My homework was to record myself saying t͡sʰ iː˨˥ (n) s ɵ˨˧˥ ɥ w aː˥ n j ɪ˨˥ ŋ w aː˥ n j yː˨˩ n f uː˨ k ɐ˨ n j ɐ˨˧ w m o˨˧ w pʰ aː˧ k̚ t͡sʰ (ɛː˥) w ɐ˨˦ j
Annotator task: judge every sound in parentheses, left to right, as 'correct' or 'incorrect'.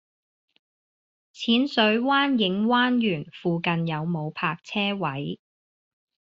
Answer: correct, correct

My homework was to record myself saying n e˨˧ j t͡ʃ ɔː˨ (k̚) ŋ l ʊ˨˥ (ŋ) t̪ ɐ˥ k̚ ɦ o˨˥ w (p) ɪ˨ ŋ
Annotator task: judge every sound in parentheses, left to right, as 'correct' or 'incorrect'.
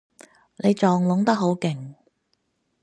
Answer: incorrect: none, correct, incorrect: k

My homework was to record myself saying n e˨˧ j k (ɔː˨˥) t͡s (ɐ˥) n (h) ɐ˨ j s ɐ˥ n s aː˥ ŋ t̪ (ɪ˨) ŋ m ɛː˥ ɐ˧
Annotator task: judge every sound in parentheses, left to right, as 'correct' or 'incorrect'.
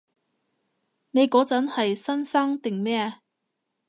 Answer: correct, incorrect: ɐ˨˥, correct, correct

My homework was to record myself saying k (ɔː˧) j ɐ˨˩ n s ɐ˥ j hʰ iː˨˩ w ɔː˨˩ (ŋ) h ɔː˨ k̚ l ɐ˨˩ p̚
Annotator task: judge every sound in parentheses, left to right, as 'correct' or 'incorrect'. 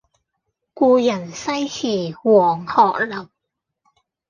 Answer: incorrect: uː˧, correct

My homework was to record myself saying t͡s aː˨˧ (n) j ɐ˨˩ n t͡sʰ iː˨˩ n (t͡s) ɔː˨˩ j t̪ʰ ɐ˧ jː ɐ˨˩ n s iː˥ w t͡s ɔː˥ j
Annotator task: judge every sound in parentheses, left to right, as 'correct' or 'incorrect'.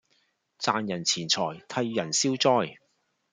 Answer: correct, incorrect: t͡sʰ

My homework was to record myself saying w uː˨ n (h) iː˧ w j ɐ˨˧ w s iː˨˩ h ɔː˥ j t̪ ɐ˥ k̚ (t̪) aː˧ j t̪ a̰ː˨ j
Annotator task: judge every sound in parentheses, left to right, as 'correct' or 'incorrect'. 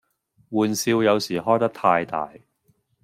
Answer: incorrect: s, incorrect: t̪ʰ

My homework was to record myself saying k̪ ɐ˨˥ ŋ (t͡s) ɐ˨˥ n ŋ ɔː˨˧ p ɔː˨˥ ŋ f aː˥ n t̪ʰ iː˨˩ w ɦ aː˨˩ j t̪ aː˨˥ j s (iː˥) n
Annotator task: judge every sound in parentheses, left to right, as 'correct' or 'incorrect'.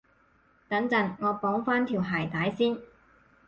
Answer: correct, correct

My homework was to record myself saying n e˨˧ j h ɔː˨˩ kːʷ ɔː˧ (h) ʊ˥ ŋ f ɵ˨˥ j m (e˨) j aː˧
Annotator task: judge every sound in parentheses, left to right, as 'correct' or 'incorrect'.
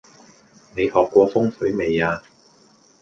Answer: incorrect: f, correct

